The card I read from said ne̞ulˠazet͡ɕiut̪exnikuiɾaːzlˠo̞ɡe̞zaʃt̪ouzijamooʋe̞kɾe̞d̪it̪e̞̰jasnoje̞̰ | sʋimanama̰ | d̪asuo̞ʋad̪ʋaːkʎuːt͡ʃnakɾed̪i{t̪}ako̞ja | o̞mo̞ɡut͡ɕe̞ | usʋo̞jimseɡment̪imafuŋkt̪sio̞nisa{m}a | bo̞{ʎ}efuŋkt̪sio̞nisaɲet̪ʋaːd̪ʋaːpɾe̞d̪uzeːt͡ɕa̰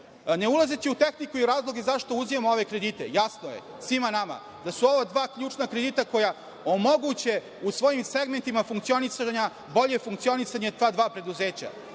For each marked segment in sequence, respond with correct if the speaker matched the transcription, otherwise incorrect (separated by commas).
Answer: correct, incorrect, correct